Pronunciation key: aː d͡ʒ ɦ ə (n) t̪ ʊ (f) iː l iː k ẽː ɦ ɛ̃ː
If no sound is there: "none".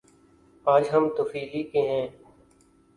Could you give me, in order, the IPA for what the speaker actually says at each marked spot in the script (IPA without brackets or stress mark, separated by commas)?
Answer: m, f